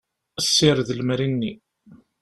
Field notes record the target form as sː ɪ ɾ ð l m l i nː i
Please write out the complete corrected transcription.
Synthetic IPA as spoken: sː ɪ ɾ ð l m ɾ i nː i

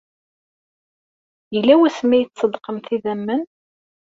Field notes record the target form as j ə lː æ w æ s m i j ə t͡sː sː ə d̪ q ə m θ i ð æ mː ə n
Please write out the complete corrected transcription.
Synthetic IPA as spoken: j ə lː æ w æ s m æ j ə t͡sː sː ə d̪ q ə m θ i ð æ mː ə n

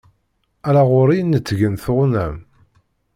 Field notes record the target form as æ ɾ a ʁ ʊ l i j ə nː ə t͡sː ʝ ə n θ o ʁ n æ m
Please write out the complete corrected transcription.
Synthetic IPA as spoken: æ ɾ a ʁ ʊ ɾ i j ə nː ə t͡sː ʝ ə n θ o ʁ n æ m

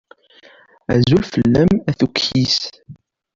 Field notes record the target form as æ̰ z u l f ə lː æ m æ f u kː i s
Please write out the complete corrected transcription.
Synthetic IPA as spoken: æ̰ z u l f ə lː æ m æ θ u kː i s

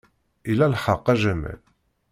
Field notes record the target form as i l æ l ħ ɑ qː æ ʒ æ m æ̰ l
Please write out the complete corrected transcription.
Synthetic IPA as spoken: i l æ l ħ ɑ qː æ ʒ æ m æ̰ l

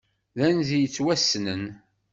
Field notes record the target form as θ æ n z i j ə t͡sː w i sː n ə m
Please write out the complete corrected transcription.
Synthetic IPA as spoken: ð æ n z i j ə t͡sː w æ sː n ə n

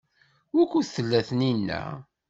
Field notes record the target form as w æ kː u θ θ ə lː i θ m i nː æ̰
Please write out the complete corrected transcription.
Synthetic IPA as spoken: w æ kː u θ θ ə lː æ θ n i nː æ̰

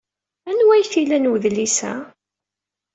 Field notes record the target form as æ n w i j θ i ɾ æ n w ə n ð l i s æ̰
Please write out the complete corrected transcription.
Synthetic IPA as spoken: æ n w æ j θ i l æ n w ə ð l i s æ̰

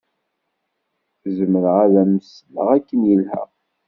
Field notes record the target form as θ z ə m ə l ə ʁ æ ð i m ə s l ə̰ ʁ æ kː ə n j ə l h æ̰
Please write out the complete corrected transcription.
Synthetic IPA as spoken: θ z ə m ə ɾ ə ʁ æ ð æ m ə s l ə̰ ʁ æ kː ə n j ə l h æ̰

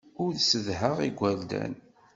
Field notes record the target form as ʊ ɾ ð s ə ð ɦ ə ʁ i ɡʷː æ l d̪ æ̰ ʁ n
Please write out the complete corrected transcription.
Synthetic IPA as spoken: ʊ ɾ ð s ə ð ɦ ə ʁ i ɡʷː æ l d̪ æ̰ n

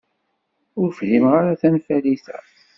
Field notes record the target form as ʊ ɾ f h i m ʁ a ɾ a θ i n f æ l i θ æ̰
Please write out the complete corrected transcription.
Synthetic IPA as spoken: ʊ ɾ f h i m ʁ a ɾ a θ æ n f æ l i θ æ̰

